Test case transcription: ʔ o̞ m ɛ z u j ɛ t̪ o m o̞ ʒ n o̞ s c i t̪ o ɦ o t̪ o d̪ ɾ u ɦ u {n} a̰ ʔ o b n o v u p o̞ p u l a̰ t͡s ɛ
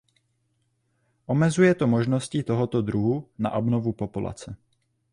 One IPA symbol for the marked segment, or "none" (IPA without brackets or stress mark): n